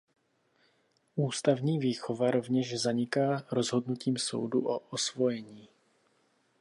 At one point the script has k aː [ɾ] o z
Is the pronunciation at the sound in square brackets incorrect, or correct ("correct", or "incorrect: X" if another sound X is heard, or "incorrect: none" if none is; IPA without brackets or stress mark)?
correct